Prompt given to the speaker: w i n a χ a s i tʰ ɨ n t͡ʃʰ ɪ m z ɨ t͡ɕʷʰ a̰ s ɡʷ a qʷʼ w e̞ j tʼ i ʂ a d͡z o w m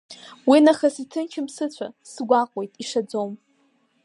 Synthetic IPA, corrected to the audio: w i n a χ a s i tʰ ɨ n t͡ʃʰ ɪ m s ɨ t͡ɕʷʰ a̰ s ɡʷ a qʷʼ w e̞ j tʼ i ʂ a d͡z o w m